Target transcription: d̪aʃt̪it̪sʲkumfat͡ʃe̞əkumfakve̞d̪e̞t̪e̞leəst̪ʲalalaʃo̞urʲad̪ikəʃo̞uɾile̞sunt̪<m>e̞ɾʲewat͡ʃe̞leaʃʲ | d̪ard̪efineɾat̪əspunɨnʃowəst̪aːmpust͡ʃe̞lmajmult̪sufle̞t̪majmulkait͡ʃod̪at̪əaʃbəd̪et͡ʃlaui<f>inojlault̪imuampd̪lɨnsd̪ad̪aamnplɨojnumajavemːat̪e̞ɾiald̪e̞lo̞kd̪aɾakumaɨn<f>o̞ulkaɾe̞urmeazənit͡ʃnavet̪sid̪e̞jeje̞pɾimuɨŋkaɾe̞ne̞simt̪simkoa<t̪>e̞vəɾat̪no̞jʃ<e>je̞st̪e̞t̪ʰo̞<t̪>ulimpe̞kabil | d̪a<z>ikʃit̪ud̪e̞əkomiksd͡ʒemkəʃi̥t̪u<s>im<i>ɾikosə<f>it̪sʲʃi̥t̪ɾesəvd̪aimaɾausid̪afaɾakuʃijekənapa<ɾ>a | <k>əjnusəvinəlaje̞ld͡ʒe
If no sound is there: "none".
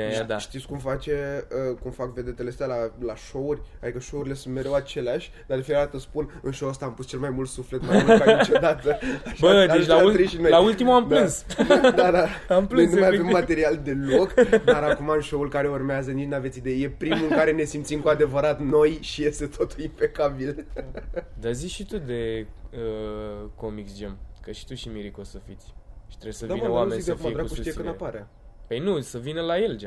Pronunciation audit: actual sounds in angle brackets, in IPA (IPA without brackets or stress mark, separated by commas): m, ʃ, ʃ, d̪, i, t̪, z, ʃ, i, f, ɾ, p